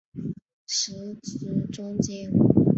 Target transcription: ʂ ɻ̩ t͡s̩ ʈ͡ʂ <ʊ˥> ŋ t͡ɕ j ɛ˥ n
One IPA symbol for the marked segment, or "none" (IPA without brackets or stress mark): ʊ˥